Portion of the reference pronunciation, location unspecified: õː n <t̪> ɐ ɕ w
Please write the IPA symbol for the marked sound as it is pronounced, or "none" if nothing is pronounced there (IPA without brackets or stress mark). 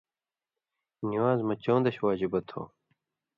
d̪